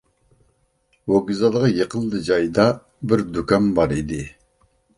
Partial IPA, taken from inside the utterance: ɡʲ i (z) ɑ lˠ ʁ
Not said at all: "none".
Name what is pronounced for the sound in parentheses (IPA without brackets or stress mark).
z